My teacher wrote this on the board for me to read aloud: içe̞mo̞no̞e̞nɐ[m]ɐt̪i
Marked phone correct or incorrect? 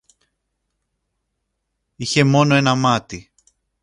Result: correct